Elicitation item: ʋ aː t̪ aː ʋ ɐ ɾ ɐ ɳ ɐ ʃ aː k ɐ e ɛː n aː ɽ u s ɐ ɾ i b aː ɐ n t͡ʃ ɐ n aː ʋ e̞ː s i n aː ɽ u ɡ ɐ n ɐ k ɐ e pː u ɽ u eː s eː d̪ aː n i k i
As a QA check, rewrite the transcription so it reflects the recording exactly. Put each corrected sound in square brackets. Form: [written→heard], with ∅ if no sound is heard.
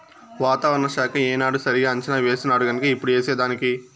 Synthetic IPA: ʋ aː t̪ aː ʋ ɐ ɾ ɐ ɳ ɐ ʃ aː k ɐ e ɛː n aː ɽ u s ɐ ɾ i [b→ɡ] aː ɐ [n→ɲ] t͡ʃ ɐ n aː ʋ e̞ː s i n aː ɽ u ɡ ɐ n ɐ k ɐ [e→i] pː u ɽ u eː s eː d̪ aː n i k i